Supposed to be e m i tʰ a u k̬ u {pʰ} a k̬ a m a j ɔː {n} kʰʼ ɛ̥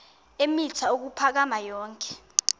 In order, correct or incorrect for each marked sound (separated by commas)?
correct, incorrect